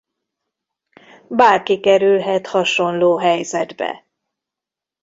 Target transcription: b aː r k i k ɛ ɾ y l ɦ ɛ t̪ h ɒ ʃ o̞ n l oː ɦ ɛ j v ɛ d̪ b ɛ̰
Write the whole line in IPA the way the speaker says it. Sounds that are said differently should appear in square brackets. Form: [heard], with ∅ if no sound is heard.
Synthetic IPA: b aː r k i k ɛ ɾ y l ɦ ɛ t̪ h ɒ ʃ o̞ n l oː ɦ ɛ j [z] ɛ d̪ b ɛ̰